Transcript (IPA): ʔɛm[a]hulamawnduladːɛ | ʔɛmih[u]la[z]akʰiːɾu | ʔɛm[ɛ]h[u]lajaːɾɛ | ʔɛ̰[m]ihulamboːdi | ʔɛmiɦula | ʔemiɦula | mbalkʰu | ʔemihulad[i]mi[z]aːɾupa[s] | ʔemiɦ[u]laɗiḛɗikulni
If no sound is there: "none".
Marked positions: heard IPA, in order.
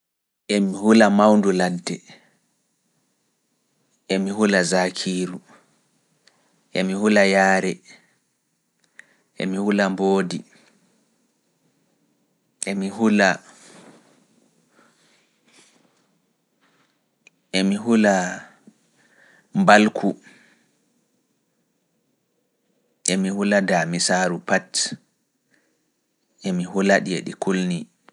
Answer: i, u, z, i, u, m, a, s, t, u

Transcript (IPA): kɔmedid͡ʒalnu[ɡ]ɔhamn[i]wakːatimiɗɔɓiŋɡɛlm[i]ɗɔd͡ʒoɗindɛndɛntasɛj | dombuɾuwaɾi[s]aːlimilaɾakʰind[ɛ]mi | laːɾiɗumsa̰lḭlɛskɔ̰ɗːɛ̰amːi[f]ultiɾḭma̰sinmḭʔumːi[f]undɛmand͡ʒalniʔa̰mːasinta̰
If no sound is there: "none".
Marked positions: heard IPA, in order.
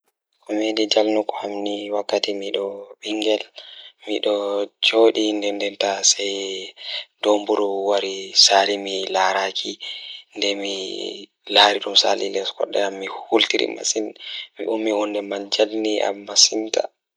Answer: k, i, i, s, ɛ, h, h

